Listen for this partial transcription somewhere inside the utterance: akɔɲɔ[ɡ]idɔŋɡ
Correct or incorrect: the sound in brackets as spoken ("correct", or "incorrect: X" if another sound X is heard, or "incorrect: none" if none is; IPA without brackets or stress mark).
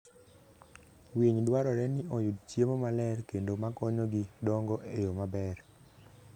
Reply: correct